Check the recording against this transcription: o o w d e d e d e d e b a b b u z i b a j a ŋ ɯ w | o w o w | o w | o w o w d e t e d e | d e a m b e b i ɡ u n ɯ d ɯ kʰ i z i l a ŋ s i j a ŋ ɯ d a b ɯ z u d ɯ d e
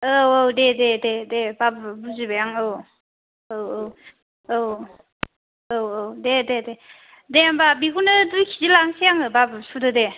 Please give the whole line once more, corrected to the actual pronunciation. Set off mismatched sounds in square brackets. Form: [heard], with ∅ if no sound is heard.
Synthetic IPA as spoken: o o w d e d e d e d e b a b b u z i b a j a ŋ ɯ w | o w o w | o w | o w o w d e [d] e d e | d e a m b [a] b i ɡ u n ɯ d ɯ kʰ i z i l a ŋ s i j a ŋ ɯ [b] a b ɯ [s] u d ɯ d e